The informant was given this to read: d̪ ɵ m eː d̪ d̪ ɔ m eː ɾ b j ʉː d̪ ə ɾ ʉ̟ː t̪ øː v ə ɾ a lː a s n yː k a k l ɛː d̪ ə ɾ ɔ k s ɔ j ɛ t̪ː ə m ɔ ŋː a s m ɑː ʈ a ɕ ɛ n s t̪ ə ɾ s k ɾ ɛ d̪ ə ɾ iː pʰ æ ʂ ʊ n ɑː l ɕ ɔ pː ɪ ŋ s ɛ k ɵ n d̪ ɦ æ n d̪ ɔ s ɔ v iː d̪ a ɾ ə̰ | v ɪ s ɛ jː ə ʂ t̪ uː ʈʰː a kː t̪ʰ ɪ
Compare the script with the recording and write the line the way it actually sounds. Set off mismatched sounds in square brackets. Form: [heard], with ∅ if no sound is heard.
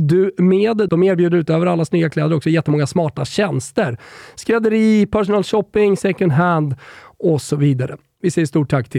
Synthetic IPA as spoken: d̪ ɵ m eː d̪ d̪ ɔ m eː ɾ b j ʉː d̪ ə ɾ ʉ̟ː t̪ øː v ə ɾ a lː a s n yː [ɡ] a k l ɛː d̪ ə ɾ ɔ k s ɔ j ɛ t̪ː ə m ɔ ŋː a s m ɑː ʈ a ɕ ɛ n s t̪ ə ɾ s k ɾ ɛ d̪ ə ɾ iː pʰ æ ʂ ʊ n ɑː l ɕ ɔ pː ɪ ŋ s ɛ k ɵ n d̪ ɦ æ n d̪ ɔ s ɔ v iː d̪ a ɾ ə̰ | v ɪ s ɛ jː ə ʂ t̪ uː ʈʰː a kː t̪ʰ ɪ